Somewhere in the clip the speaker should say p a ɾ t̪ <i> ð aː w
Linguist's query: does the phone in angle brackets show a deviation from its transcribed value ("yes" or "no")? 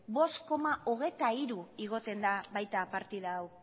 no